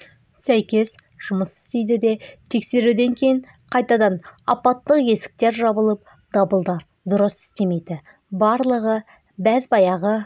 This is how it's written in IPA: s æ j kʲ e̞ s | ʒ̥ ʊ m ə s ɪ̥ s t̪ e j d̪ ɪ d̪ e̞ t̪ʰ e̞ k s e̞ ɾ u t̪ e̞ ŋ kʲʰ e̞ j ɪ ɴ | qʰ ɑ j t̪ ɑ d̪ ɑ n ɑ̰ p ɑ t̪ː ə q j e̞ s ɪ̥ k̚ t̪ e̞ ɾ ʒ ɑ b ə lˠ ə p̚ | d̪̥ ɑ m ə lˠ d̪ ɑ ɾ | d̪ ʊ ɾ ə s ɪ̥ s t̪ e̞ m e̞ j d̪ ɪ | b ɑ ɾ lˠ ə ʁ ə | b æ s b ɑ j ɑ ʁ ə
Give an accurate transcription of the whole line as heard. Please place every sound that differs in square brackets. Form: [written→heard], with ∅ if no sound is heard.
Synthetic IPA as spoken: s æ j kʲ e̞ s | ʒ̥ ʊ m ə s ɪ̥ s t̪ e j d̪ ɪ d̪ e̞ t̪ʰ e̞ k s e̞ ɾ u [t̪→d̪] e̞ ŋ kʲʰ e̞ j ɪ ɴ | qʰ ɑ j t̪ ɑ d̪ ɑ n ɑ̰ p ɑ t̪ː ə q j e̞ s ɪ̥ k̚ t̪ e̞ ɾ ʒ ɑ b ə lˠ ə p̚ | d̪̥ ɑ [m→b] ə lˠ d̪ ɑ ɾ | d̪ ʊ ɾ ə s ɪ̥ s t̪ e̞ m e̞ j d̪ ɪ | b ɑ ɾ lˠ ə ʁ ə | b æ [s→z] b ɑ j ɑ ʁ ə

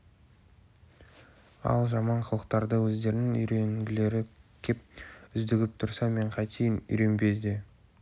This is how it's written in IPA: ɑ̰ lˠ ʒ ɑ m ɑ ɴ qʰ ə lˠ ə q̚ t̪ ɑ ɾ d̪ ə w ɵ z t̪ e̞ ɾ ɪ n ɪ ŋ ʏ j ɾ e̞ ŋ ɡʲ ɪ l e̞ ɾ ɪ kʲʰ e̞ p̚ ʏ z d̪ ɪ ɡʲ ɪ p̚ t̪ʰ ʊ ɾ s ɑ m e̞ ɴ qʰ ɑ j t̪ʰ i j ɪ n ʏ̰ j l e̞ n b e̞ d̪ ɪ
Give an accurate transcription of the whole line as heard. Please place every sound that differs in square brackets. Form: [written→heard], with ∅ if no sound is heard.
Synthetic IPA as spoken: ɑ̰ lˠ ʒ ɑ m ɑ ɴ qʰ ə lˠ ə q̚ t̪ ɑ ɾ d̪ ə w ɵ z [t̪→d̪] e̞ ɾ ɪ n ɪ ŋ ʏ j ɾ e̞ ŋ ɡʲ ɪ l e̞ ɾ ɪ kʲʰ e̞ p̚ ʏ z d̪ ɪ ɡʲ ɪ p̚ t̪ʰ ʊ ɾ s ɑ m e̞ ɴ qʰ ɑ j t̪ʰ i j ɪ n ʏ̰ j [l→ɾ] e̞ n b e̞ d̪ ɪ

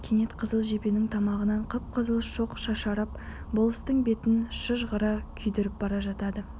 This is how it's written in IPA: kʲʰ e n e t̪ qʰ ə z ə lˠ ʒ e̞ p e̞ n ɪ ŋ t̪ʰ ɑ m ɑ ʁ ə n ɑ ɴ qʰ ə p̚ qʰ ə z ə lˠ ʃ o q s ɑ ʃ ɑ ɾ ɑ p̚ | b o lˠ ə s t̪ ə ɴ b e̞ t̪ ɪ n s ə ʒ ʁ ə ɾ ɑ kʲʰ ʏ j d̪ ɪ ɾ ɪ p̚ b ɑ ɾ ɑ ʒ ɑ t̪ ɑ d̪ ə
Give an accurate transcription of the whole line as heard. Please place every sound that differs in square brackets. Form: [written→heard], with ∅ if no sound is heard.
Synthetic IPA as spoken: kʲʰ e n e t̪ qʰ ə z ə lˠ ʒ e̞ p e̞ n ɪ ŋ t̪ʰ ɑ m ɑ ʁ ə n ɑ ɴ qʰ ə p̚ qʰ ə z ə lˠ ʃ o q [s→ʃ] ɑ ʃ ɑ ɾ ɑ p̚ | b o lˠ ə s t̪ ə ɴ b e̞ t̪ ɪ n [s→ʃ] ə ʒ ʁ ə ɾ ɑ kʲʰ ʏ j d̪ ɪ ɾ ɪ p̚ b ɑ ɾ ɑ ʒ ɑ t̪ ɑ d̪ ə

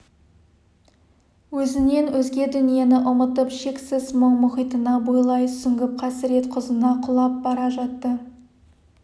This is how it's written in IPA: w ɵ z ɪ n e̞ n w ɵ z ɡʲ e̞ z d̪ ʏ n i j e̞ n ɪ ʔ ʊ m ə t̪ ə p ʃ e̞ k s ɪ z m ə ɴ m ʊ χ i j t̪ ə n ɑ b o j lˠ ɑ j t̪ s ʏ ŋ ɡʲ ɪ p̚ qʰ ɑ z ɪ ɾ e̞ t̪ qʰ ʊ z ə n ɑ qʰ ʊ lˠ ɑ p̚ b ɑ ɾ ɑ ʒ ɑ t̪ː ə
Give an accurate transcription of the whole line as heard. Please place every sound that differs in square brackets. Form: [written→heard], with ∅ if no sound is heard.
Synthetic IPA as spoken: w ɵ z ɪ n e̞ n w ɵ z ɡʲ e̞ [z→∅] d̪ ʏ n i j e̞ n ɪ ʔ ʊ m ə t̪ ə p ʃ e̞ k s ɪ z m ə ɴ m ʊ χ i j t̪ ə n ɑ b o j lˠ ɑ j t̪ s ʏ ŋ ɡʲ ɪ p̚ qʰ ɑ [z→s] ɪ ɾ e̞ t̪ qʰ ʊ z ə n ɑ qʰ ʊ lˠ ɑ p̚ b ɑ ɾ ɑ ʒ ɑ t̪ː ə

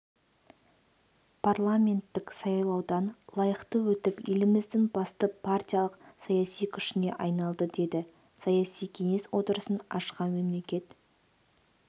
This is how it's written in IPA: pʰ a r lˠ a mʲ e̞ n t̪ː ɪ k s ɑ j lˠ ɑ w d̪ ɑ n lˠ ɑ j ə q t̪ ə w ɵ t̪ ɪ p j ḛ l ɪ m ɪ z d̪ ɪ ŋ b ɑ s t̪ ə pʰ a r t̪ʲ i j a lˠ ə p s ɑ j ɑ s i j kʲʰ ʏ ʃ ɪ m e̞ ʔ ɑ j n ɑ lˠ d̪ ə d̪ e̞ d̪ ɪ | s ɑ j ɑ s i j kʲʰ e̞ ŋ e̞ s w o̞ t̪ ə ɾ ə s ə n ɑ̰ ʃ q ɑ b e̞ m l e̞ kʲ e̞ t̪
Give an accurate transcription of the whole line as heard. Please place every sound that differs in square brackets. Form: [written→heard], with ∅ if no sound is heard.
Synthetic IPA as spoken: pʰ a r lˠ a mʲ e̞ n t̪ː ɪ k s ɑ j lˠ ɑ w d̪ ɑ n lˠ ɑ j ə q t̪ ə w ɵ t̪ ɪ p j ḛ l ɪ m ɪ z d̪ ɪ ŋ b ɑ s t̪ ə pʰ a r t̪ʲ i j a lˠ ə [p→q] s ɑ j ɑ s i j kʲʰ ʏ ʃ ɪ [m→n] e̞ ʔ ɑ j n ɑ lˠ d̪ ə d̪ e̞ d̪ ɪ | s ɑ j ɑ s i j kʲʰ e̞ ŋ e̞ s w o̞ t̪ ə ɾ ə s ə n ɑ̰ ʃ q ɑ [b→m] e̞ m l e̞ kʲ e̞ t̪

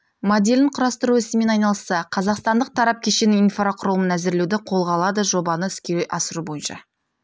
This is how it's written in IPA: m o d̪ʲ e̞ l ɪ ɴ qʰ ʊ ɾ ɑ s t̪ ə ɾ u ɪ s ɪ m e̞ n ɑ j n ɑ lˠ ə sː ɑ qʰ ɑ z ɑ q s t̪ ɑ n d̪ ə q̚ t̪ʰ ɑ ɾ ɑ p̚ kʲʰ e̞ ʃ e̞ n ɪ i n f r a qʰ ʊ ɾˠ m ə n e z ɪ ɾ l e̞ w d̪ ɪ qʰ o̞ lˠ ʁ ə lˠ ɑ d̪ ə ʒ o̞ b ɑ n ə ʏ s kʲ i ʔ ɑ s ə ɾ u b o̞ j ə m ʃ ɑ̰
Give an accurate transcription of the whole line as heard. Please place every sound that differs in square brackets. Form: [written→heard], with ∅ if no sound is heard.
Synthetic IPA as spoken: m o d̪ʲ e̞ l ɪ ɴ qʰ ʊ ɾ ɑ s t̪ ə ɾ u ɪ s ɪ m e̞ n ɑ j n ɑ lˠ ə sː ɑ qʰ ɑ z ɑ q s t̪ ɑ n d̪ ə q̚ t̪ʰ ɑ ɾ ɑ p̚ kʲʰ e̞ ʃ e̞ n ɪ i n f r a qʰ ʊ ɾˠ m ə n [e→æ] z ɪ ɾ l e̞ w d̪ ɪ qʰ o̞ lˠ ʁ [ə→ɑ] lˠ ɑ d̪ ə ʒ o̞ b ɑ n ə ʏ s kʲ [i→e] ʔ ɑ s ə ɾ u b o̞ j ə [m→n] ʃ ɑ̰

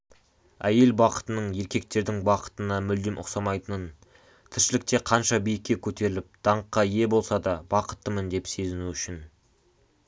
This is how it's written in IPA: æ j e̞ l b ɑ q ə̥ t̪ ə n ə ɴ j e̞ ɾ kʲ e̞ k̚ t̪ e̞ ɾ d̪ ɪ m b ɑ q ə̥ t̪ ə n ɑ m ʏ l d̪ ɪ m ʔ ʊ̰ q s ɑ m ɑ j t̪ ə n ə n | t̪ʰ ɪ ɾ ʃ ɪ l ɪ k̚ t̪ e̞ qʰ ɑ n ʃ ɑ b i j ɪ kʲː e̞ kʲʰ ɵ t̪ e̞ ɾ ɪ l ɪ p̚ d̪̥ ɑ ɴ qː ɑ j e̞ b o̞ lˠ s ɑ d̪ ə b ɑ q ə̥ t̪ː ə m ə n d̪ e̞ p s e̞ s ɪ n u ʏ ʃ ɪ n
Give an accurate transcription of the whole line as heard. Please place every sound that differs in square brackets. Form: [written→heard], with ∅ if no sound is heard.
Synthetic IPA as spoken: æ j e̞ l b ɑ q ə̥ t̪ ə n ə ɴ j e̞ ɾ kʲ e̞ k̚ t̪ e̞ ɾ d̪ ɪ [m→ŋ] b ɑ q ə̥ t̪ ə n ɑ m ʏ l d̪ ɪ m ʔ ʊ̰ q s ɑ m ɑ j t̪ ə n ə n | t̪ʰ ɪ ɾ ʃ ɪ l ɪ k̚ t̪ e̞ qʰ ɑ n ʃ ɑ b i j ɪ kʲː e̞ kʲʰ ɵ t̪ e̞ ɾ ɪ l ɪ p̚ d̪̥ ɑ ɴ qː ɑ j e̞ b o̞ lˠ s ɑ d̪ [ə→ɑ] b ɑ q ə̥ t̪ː ə m ə n d̪ e̞ p s e̞ [s→z] ɪ n u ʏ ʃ ɪ n

